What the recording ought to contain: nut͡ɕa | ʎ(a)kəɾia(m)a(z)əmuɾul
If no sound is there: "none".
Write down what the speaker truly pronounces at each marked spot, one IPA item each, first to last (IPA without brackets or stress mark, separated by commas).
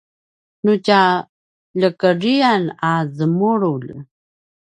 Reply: ə, n, z